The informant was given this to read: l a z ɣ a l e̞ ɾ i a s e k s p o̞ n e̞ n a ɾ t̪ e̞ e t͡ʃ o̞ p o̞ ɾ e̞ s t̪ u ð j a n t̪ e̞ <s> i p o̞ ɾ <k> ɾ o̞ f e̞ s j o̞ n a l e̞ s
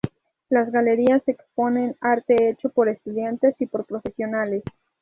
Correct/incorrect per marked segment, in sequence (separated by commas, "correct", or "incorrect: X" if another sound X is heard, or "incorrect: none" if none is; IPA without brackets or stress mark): correct, incorrect: p